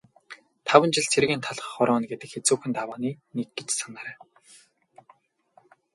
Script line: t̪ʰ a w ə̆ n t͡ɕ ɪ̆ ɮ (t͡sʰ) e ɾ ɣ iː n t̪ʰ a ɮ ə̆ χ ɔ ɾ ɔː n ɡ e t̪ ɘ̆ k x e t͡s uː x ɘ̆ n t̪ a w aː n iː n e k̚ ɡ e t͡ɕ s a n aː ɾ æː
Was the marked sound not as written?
no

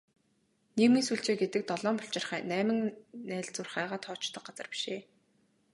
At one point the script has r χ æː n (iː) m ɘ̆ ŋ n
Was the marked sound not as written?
yes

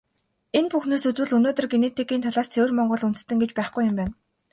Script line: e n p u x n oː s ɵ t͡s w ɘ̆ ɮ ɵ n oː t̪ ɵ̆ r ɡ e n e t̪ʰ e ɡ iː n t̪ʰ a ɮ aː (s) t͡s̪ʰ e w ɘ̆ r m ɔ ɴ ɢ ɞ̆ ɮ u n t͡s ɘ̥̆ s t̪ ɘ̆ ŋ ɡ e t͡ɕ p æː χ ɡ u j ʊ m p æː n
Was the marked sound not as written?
no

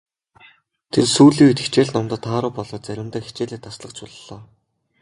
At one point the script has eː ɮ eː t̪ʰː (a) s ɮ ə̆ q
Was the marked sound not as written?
no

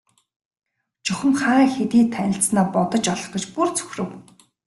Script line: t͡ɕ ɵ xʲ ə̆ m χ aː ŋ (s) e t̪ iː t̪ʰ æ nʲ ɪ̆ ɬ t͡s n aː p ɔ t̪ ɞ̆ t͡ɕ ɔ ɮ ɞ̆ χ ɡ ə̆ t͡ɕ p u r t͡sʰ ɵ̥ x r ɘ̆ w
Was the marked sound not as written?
yes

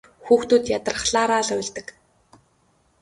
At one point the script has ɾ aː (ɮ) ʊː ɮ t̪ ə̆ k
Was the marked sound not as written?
no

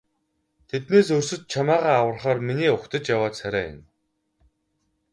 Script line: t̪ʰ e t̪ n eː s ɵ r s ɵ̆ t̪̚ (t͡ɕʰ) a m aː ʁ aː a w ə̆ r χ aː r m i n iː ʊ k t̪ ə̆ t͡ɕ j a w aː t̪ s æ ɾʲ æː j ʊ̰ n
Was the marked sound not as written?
no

